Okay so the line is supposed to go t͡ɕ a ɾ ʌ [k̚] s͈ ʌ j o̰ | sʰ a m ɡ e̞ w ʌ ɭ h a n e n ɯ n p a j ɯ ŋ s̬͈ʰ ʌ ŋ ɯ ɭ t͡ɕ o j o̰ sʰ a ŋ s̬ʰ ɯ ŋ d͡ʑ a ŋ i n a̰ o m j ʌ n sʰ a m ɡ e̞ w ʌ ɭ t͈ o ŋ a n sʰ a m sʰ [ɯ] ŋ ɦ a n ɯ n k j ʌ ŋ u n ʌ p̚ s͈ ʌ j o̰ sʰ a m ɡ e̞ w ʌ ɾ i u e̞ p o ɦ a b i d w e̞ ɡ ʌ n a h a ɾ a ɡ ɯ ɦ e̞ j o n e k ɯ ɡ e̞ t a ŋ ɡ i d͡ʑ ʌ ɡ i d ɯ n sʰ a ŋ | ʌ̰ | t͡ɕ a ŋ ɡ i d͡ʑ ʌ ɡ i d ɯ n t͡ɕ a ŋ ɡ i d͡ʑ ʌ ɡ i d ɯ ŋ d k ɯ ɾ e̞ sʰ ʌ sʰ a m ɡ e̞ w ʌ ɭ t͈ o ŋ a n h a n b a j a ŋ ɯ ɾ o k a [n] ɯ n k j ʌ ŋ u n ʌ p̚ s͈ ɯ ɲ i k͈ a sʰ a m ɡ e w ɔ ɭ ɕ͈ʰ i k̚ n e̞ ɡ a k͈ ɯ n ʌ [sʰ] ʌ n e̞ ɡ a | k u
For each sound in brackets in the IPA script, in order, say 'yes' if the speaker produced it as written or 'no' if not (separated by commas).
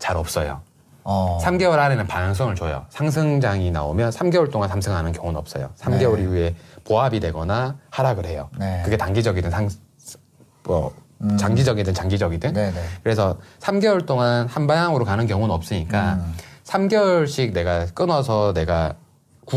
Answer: no, yes, yes, yes